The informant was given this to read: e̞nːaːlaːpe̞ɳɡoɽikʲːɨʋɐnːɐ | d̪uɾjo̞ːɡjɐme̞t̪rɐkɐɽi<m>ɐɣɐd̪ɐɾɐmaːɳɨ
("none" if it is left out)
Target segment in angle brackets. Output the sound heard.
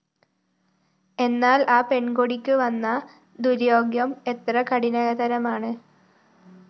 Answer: n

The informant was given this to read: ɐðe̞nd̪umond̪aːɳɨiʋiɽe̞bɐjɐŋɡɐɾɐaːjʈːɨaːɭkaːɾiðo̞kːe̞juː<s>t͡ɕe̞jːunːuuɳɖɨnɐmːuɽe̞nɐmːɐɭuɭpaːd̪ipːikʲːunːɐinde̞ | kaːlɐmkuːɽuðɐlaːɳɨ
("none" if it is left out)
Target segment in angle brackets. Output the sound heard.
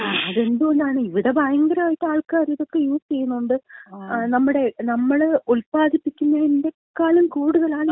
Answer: s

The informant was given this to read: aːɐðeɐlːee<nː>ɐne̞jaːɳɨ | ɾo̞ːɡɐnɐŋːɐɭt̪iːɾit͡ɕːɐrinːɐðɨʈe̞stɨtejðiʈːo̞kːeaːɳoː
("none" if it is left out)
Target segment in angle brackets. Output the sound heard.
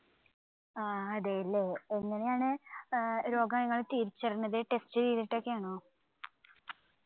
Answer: ŋː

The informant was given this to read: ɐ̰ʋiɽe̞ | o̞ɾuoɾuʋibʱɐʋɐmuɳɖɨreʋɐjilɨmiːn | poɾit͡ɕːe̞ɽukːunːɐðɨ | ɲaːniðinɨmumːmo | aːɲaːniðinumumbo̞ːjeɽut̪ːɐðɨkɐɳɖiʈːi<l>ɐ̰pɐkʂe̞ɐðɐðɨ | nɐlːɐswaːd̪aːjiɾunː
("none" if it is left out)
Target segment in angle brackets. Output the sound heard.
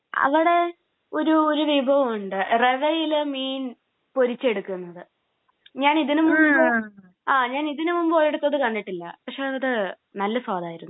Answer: lː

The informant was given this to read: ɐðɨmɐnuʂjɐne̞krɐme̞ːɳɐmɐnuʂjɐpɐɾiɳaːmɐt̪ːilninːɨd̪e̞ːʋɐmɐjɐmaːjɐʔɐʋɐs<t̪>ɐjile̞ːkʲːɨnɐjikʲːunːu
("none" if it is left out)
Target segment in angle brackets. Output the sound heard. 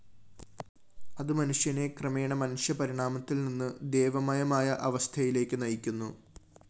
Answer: t̪ʰ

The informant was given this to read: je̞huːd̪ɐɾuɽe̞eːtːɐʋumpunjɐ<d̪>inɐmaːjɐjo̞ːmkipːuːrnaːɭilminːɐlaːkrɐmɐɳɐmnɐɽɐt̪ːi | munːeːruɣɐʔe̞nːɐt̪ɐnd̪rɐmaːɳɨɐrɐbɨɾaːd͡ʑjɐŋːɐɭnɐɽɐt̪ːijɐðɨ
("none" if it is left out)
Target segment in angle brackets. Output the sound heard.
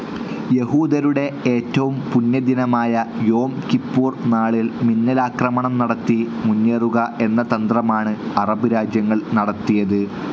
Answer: d̪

